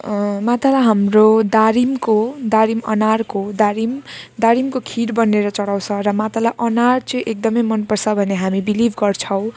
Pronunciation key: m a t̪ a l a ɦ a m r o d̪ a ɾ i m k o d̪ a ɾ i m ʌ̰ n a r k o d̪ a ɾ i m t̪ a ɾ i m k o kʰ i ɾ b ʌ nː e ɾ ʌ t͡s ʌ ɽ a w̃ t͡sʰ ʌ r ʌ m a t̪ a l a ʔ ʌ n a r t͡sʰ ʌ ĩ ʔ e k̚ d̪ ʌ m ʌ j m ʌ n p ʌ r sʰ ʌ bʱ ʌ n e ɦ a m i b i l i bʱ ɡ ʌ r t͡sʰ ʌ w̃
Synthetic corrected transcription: m a t̪ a l a ɦ a m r o d̪ a ɾ i m k o d̪ a ɾ i m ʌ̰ n a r k o d̪ a ɾ i m d̪ a ɾ i m k o kʰ i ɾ b ʌ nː e ɾ ʌ t͡s ʌ ɽ a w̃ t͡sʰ ʌ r ʌ m a t̪ a l a ʔ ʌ n a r t͡s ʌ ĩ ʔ e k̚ d̪ ʌ m ʌ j m ʌ n p ʌ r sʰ ʌ bʱ ʌ n e ɦ a m i b i l i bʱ ɡ ʌ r t͡sʰ ʌ w̃